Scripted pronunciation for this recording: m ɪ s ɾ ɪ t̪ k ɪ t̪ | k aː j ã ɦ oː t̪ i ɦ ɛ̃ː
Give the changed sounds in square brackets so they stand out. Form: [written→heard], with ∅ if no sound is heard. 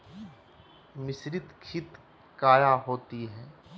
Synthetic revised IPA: m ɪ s ɾ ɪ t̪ [k→kʰ] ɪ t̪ | k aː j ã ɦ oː t̪ i ɦ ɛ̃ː

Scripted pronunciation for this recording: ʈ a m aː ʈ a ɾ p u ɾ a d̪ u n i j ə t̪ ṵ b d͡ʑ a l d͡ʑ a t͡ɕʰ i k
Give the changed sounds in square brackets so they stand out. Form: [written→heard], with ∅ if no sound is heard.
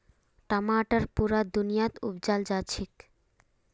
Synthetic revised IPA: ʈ a m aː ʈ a ɾ p u ɾ a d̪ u n i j [ə→a] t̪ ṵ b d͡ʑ a l d͡ʑ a t͡ɕʰ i k

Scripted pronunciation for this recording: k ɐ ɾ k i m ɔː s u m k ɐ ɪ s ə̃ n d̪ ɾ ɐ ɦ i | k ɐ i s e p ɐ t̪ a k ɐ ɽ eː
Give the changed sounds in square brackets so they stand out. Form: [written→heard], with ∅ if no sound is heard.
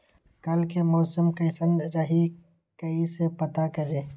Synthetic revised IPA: k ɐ [ɾ→l] k [i→e] m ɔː s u m k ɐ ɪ s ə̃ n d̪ ɾ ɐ ɦ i | k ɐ i s e p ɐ t̪ a k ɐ [ɽ→ɾ] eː

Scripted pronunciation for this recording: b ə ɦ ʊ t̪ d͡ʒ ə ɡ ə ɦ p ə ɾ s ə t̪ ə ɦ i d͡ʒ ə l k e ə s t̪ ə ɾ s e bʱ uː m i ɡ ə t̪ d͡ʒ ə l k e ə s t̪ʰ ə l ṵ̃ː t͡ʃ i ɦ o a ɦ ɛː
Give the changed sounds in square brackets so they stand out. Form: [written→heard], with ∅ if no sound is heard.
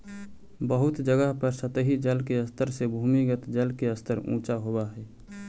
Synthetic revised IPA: b ə ɦ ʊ t̪ d͡ʒ ə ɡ ə ɦ p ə ɾ s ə t̪ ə ɦ i d͡ʒ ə l k e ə s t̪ ə ɾ s e bʱ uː m i ɡ ə t̪ d͡ʒ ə l k e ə s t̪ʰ ə [l→ɾ] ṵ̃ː t͡ʃ [i→a] ɦ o a ɦ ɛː

